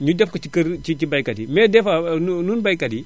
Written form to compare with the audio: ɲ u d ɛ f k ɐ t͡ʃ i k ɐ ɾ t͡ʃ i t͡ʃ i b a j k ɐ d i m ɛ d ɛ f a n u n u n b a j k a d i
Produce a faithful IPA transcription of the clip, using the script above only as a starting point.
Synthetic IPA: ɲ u d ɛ f k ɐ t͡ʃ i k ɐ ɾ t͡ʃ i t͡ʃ i b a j k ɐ d i m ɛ d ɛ f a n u n u n b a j k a d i

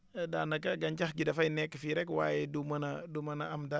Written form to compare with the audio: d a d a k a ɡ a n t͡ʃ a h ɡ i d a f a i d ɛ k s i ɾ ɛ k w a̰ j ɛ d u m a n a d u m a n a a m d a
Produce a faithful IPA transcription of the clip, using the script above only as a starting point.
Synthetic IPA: d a n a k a ɡ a ɲ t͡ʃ a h ɡ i d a f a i n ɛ k f i ɾ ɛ k w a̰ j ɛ d u m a n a d u m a n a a m d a

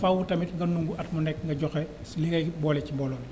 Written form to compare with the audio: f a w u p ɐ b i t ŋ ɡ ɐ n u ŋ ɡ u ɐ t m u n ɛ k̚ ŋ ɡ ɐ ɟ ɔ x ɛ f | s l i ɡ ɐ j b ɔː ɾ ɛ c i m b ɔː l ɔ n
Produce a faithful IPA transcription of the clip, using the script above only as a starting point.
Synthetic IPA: f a w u t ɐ m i t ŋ ɡ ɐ n u ŋ ɡ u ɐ t m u n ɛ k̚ ŋ ɡ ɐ ɟ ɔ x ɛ | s l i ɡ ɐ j b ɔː l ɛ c i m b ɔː l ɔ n

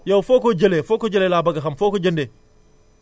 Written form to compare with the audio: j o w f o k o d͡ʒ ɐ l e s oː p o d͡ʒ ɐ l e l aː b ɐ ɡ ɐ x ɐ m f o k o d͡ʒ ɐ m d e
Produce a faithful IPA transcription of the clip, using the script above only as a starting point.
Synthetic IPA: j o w f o k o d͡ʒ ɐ l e f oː k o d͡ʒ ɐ l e l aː b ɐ ɡ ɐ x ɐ m f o k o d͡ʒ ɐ n d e

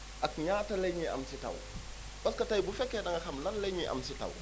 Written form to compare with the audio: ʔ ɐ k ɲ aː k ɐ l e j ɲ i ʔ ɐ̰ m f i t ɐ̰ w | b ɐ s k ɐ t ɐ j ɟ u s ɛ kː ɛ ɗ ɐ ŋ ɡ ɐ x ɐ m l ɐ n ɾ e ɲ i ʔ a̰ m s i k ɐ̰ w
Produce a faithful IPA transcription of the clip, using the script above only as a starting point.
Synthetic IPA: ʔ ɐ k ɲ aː t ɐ l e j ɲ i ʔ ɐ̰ m s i t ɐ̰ w | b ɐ s k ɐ t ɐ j b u f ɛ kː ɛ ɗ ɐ ŋ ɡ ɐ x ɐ m l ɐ n l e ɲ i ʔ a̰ m s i t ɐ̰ w

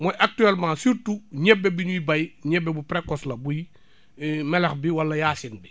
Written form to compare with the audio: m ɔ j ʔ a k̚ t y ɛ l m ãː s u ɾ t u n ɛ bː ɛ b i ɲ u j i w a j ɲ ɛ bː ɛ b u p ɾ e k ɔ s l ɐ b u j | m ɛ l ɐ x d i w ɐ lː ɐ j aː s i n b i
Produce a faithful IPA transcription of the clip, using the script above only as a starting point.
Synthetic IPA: m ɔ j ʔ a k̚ t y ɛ l m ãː s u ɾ t u ɲ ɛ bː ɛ b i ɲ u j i b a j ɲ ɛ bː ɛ b u p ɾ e k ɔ s l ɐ b u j | m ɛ l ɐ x b i w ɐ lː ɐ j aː s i n b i

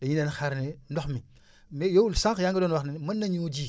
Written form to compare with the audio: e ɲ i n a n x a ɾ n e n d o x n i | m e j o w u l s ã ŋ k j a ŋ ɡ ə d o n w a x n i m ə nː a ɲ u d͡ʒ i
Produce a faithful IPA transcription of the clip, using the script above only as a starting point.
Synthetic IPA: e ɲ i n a n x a ɾ n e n d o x m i | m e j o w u l s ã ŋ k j a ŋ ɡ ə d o n w a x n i m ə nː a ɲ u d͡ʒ i

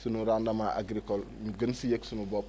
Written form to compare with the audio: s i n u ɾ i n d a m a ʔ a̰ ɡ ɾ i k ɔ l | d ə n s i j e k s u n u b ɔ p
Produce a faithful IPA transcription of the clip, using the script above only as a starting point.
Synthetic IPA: s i n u ɾ a n d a m a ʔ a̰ ɡ ɾ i k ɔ l | ɡ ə n s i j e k s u n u b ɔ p

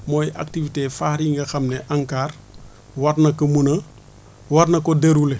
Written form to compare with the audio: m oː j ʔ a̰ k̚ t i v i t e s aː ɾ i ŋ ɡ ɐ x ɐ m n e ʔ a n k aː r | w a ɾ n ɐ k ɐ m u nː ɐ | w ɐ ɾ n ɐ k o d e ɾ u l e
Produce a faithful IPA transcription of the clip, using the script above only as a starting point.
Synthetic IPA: m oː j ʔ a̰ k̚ t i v i t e f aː ɾ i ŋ ɡ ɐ x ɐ m n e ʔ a ŋ k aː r | w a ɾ n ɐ k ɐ m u n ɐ | w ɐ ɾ n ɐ k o d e ɾ u l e

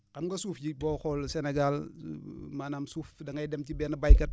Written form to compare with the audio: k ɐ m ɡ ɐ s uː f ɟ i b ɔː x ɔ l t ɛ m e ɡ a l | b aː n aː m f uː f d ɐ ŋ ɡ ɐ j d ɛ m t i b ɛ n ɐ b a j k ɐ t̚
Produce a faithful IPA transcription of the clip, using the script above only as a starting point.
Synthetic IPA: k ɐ m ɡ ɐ s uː f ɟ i b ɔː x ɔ l s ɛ n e ɡ a l | m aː n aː m s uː f d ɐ ŋ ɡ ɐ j d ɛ m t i b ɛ n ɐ b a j k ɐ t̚

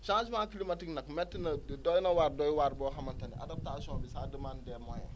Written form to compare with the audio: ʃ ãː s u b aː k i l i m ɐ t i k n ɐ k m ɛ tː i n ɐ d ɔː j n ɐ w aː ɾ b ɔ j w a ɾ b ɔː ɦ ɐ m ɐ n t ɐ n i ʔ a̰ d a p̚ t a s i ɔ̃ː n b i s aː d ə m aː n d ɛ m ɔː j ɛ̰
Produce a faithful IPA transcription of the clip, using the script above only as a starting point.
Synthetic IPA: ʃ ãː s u m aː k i l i m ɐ t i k n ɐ k m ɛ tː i n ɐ d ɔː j n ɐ w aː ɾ d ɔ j w a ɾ b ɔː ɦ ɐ m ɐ n t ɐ n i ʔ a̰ d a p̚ t a s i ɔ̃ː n b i s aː d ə m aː n d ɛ m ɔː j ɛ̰

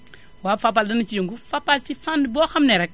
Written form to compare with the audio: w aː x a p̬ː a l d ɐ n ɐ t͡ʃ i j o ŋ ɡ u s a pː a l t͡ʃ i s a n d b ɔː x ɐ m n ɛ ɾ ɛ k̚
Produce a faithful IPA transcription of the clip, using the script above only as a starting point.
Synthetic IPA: w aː f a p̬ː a l d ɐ n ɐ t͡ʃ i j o ŋ ɡ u f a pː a l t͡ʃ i f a n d b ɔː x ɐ m n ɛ ɾ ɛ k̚

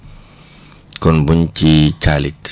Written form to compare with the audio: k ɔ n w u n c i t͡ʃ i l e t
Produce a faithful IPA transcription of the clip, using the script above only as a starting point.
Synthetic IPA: k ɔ n b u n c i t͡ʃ a l i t

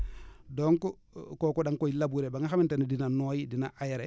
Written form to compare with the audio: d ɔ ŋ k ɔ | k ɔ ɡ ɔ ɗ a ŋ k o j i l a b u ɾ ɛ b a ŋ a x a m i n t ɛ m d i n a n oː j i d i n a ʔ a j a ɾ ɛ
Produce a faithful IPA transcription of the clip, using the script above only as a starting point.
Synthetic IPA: d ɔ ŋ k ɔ | k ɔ k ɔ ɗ a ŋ k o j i l a b u ɾ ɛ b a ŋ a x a m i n t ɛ n d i n a n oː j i d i n a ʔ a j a ɾ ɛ

